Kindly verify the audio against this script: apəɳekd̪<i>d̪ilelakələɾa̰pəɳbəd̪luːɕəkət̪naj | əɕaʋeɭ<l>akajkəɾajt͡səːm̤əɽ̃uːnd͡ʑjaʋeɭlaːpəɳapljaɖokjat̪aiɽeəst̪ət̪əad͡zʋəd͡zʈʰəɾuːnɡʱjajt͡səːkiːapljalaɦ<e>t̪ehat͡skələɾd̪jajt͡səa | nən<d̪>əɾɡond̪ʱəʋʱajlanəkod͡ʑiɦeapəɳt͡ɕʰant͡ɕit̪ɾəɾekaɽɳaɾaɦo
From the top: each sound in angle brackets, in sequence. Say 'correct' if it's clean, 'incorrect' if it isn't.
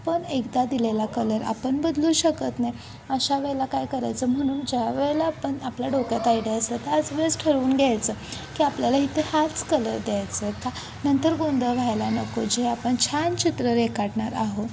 incorrect: a, correct, incorrect: i, incorrect: t̪

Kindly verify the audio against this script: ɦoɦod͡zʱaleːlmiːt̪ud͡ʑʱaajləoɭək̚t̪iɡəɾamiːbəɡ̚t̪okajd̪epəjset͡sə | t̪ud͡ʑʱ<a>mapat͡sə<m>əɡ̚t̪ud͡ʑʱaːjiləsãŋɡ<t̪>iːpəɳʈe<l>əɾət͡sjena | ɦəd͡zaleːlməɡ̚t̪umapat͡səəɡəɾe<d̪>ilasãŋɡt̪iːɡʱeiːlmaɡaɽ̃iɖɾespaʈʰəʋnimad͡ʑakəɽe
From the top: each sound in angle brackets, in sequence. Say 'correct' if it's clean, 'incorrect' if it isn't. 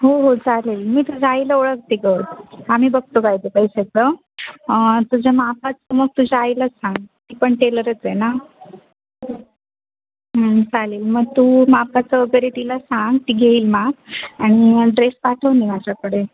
correct, correct, correct, correct, incorrect: t̪

